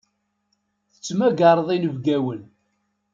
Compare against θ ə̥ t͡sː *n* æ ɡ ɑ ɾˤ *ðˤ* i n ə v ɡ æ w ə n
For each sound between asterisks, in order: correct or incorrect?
incorrect: m, correct

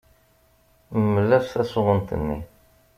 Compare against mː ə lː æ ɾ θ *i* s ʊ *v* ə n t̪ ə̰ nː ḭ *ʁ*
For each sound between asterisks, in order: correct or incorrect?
incorrect: æ, incorrect: ʁ, incorrect: none

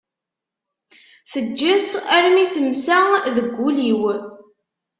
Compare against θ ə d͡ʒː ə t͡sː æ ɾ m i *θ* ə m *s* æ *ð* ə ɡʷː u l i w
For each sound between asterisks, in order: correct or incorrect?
correct, correct, correct

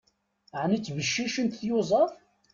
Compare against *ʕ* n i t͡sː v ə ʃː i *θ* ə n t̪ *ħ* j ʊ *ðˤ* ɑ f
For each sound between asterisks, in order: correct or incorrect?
correct, incorrect: ʃ, incorrect: θ, incorrect: zˤ

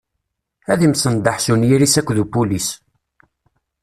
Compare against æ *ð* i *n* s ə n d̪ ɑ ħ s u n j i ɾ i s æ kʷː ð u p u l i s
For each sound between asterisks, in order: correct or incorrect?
correct, incorrect: m

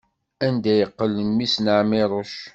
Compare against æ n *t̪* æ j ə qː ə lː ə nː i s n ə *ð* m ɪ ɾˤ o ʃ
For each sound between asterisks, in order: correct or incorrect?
incorrect: d̪, incorrect: ʕ

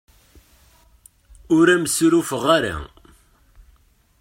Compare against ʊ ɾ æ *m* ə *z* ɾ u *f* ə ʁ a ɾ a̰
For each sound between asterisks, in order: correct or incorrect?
correct, incorrect: s, correct

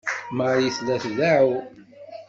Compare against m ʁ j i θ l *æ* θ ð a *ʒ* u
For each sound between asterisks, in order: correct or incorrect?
correct, incorrect: ʕ

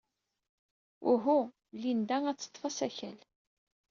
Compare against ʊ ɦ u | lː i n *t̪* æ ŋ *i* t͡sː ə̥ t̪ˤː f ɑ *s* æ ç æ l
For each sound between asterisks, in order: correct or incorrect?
incorrect: d̪, incorrect: æ, correct

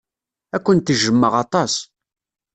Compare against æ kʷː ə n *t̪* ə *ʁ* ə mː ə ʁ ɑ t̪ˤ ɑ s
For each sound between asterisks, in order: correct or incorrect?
correct, incorrect: ʒ

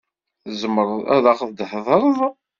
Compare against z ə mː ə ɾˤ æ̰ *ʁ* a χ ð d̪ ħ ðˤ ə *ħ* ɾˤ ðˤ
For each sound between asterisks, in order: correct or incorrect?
incorrect: ð, incorrect: none

